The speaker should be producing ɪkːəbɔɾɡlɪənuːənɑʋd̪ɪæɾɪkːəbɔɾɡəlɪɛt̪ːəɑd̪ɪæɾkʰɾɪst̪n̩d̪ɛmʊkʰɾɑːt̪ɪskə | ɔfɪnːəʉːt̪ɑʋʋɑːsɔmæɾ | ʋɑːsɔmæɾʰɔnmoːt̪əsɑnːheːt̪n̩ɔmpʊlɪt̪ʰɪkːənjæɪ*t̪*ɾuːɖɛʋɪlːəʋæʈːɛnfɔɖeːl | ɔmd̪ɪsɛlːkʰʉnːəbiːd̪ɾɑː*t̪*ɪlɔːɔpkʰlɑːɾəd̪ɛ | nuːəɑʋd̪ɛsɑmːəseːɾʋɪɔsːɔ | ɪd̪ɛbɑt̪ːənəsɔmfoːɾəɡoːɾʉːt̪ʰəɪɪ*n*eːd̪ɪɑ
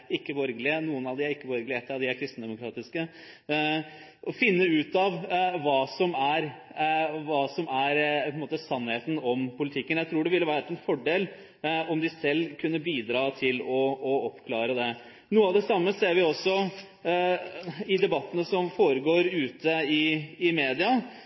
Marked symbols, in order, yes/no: no, no, no

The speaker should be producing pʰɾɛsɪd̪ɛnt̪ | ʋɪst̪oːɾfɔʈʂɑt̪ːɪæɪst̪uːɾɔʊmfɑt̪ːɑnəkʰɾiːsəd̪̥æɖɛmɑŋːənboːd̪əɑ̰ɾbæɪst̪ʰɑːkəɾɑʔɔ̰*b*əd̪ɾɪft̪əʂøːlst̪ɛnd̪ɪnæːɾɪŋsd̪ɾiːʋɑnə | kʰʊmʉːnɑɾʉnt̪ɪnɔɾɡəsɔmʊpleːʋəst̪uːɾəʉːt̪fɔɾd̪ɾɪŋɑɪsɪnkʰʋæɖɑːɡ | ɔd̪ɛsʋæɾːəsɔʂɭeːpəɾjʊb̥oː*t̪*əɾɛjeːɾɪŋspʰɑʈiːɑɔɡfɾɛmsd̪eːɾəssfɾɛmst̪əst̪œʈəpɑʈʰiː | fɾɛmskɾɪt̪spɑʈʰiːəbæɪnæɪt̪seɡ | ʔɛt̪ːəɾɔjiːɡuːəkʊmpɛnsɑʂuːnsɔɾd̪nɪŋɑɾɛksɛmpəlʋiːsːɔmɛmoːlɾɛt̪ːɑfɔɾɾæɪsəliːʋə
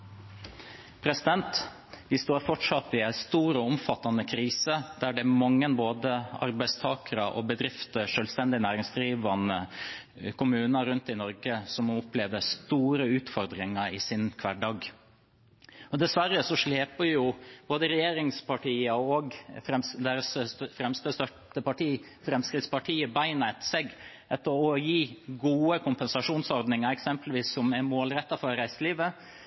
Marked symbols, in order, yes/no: yes, no

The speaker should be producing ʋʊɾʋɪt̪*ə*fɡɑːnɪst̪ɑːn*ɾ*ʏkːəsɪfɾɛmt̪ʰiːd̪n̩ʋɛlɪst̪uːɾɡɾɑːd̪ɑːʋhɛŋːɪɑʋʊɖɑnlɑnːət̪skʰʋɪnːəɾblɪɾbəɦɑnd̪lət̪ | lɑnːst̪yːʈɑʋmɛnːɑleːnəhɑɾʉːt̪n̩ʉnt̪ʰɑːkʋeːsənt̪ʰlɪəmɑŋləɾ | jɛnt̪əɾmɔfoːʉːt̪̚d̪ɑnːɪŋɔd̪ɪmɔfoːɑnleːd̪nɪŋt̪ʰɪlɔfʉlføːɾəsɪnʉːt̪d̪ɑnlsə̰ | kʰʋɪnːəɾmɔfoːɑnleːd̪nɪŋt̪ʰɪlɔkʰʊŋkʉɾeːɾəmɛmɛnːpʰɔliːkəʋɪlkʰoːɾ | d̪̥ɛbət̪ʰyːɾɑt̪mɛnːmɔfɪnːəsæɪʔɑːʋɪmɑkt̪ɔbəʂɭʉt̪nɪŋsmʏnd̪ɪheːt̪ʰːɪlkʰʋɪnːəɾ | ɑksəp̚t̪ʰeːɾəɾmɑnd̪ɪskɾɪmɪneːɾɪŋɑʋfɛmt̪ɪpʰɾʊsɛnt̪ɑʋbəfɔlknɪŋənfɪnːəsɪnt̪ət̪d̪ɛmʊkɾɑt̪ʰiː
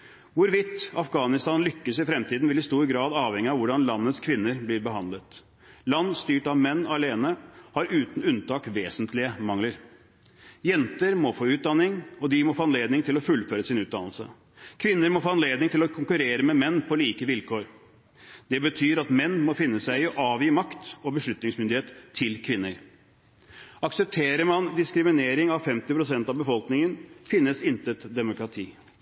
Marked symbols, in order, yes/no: no, no

